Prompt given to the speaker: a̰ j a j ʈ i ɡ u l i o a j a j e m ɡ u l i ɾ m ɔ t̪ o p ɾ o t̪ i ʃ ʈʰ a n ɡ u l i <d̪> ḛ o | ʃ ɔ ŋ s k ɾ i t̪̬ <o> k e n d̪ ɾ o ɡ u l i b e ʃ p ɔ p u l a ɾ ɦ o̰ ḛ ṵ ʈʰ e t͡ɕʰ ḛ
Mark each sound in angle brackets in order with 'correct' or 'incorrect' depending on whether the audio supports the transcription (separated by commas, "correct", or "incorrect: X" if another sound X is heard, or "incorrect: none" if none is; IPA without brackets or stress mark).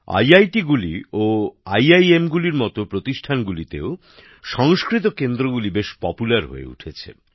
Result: incorrect: t̪, correct